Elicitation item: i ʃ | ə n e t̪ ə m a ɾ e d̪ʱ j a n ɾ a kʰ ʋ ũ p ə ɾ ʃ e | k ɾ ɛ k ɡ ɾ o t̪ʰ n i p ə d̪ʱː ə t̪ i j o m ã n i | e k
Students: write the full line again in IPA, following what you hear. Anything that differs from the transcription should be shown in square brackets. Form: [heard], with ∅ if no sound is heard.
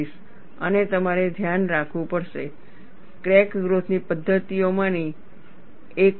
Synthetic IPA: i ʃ | ə n e t̪ ə m a ɾ e d̪ʱ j a n ɾ a kʰ ʋ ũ p ə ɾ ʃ e | k ɾ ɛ k ɡ ɾ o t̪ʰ n i p ə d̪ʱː ə t̪ i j o m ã n i | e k